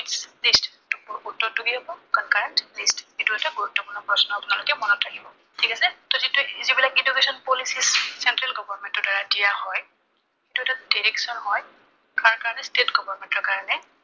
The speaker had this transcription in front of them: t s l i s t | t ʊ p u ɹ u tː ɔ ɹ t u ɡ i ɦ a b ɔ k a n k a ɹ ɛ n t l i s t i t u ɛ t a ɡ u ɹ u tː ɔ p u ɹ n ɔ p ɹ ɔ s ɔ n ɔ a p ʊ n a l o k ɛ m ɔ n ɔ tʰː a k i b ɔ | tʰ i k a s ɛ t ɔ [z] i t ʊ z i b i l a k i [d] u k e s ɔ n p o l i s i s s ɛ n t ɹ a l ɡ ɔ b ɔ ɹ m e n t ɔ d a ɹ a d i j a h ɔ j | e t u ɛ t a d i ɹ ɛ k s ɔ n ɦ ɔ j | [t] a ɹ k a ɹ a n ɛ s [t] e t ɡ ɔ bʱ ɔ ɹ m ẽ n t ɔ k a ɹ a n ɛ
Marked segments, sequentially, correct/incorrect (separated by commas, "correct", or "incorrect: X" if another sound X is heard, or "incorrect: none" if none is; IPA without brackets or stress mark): correct, correct, incorrect: k, correct